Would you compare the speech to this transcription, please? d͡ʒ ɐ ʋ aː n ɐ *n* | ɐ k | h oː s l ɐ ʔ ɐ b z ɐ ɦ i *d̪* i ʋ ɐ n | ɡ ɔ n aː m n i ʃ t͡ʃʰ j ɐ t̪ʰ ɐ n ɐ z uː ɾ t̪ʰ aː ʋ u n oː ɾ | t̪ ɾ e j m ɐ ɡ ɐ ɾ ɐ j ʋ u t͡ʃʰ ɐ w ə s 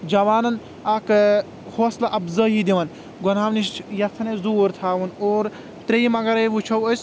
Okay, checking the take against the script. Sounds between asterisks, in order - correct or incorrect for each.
correct, correct

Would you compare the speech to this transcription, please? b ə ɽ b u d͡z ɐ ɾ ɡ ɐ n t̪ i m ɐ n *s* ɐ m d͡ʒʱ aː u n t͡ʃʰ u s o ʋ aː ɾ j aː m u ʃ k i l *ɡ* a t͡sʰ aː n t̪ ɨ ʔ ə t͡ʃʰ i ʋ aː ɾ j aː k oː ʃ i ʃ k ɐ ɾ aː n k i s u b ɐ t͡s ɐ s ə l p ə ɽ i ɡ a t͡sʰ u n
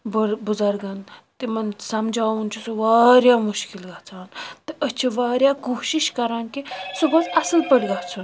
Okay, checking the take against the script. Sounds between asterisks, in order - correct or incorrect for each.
correct, correct

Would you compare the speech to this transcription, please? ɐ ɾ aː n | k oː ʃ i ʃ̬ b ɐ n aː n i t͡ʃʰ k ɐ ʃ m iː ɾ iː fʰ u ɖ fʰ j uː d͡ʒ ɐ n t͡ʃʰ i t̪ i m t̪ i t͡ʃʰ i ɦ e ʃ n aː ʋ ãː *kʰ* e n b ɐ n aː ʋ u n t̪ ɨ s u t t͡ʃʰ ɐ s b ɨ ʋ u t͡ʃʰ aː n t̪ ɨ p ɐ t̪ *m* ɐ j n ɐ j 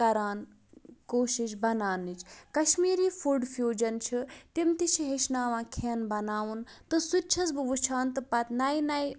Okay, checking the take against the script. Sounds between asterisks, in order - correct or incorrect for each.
correct, incorrect

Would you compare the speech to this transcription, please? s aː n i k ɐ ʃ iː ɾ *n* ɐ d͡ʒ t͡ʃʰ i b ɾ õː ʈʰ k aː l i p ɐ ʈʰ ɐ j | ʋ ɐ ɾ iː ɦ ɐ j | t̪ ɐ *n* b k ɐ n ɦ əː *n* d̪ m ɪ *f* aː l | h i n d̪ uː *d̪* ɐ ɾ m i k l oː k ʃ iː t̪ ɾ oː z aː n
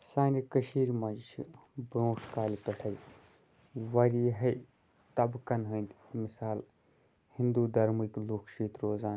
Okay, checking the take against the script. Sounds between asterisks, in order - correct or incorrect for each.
incorrect, incorrect, correct, incorrect, correct

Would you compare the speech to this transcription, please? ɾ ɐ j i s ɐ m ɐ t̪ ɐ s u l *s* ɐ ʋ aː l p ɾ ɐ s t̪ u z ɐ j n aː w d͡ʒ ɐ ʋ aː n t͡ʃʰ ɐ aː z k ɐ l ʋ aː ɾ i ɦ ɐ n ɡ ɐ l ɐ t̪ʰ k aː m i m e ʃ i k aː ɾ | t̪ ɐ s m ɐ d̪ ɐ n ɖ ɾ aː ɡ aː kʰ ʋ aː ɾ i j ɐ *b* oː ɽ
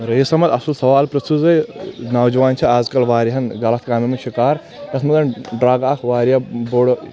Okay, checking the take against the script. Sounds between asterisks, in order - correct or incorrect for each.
correct, correct

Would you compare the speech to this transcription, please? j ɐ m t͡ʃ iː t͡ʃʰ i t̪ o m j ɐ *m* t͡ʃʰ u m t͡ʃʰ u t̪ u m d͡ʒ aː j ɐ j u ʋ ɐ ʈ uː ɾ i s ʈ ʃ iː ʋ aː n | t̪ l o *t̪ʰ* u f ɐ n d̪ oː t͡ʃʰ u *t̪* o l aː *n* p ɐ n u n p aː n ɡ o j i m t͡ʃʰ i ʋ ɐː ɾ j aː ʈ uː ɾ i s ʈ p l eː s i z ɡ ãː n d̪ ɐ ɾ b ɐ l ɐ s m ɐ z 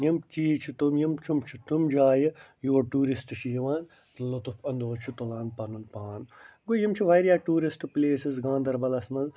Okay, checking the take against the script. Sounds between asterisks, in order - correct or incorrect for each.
correct, incorrect, correct, correct

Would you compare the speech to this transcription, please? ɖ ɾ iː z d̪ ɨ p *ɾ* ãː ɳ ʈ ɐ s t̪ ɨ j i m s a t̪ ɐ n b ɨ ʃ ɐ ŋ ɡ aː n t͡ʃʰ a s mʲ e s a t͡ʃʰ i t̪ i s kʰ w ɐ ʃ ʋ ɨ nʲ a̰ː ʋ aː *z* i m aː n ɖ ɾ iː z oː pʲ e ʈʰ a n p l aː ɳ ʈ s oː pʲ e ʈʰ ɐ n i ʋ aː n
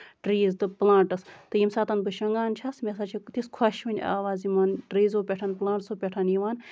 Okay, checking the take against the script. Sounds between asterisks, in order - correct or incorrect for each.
incorrect, correct

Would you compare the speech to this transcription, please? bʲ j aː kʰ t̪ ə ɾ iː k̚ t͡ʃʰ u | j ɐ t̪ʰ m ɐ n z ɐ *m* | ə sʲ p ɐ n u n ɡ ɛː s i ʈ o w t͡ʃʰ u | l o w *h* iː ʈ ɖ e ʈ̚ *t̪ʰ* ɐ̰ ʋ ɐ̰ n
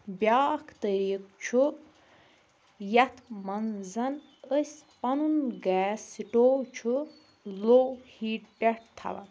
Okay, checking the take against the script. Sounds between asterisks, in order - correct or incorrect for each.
incorrect, correct, correct

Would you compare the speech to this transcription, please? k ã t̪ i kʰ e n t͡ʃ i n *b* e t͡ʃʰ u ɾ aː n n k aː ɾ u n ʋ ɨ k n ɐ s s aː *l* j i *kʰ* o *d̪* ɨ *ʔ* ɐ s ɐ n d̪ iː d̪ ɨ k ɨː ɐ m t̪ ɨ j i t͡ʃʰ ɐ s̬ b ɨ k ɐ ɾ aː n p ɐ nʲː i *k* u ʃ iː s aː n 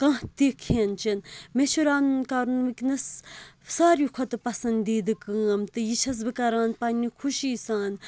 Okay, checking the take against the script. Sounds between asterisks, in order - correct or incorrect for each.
incorrect, incorrect, correct, incorrect, incorrect, incorrect

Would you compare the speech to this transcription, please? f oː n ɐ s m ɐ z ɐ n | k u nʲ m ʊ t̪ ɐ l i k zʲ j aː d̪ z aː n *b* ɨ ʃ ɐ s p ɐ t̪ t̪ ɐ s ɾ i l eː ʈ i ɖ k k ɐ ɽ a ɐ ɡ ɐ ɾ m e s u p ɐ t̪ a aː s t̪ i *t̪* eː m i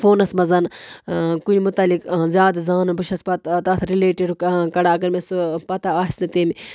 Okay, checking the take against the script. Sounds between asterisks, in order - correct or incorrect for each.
correct, correct

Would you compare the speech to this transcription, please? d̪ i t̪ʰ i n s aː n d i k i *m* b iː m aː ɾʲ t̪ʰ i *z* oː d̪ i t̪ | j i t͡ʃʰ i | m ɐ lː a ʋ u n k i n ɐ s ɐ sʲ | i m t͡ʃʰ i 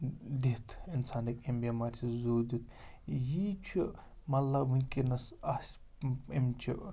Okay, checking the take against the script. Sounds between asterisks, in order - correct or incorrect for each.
correct, correct

